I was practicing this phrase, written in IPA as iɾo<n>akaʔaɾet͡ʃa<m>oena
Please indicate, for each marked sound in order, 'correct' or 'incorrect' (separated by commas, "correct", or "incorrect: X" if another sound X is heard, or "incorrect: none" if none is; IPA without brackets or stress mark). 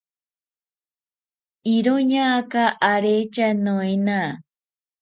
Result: incorrect: ɲ, incorrect: n